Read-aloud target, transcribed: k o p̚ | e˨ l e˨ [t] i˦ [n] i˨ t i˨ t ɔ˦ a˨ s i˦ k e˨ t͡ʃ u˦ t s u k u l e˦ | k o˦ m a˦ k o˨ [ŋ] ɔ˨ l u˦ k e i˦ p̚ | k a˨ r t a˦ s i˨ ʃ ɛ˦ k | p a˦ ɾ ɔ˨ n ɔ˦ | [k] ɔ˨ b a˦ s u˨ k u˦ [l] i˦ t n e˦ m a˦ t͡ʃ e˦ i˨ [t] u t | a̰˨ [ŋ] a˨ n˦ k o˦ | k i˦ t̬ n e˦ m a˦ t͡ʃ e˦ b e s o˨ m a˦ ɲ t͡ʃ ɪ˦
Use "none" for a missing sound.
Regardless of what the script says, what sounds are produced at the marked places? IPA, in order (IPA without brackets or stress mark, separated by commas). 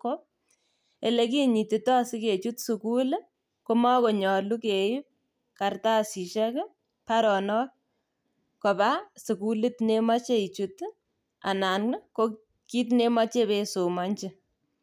k, ɲ, ɲ, k, l, t͡ʃ, n